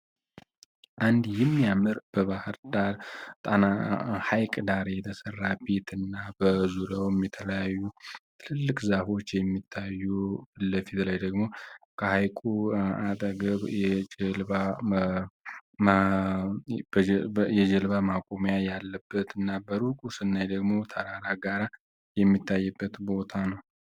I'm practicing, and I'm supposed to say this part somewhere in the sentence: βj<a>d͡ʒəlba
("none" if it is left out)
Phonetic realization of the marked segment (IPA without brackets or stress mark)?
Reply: ɛ